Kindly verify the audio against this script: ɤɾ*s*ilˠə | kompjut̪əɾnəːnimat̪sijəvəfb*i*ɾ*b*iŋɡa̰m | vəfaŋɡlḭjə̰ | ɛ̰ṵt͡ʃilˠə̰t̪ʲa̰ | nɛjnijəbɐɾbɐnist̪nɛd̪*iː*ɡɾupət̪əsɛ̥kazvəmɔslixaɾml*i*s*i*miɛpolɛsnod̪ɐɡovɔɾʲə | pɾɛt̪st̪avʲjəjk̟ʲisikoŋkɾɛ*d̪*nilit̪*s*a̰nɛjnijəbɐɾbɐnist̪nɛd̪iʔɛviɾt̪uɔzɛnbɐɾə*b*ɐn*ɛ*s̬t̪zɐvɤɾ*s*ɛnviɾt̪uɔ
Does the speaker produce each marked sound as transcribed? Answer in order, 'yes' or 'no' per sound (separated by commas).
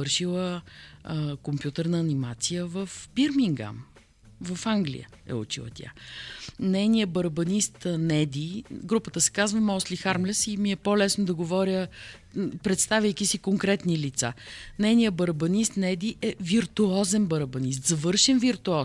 no, yes, no, no, no, yes, no, yes, yes, no, no